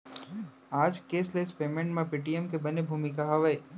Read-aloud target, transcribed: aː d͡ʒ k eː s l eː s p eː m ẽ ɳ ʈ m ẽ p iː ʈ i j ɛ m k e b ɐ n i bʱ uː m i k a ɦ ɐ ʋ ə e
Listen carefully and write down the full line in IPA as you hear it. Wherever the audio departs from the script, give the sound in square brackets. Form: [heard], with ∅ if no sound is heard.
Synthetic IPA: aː d͡ʒ k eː s l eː s p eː m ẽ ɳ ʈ m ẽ p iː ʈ i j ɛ m k e b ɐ n [e] bʱ uː m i k a ɦ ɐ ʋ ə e